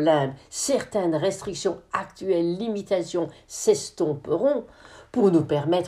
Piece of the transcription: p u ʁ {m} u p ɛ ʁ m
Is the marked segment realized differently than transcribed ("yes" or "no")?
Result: yes